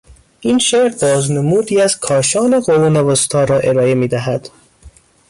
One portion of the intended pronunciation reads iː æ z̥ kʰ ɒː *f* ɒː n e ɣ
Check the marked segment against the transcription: incorrect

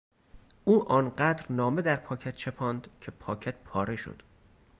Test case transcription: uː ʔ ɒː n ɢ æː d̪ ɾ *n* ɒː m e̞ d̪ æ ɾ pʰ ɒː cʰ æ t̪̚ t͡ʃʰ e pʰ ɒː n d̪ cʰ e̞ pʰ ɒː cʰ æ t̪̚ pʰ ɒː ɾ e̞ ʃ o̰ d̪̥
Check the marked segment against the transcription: correct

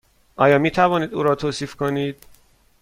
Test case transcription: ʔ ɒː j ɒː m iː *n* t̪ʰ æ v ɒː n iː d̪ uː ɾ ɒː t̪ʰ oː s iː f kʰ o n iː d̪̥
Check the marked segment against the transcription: incorrect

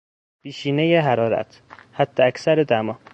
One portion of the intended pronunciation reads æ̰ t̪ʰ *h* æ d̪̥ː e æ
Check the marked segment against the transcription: correct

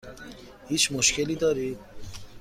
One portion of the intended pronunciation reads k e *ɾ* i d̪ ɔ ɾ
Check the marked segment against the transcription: incorrect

